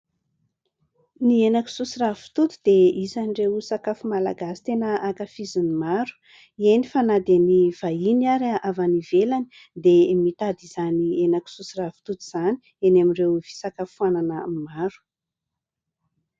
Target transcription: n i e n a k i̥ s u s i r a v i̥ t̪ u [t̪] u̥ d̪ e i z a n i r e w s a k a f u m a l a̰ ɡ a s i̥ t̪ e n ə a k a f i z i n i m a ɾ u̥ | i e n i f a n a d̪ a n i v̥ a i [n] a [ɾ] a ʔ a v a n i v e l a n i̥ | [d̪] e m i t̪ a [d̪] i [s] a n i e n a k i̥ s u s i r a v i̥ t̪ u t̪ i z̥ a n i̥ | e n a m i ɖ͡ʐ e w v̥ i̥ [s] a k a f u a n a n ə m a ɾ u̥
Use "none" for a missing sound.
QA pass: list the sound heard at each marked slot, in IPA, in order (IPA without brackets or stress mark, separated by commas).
t̪, n, ɾ, d̪, d̪, z, s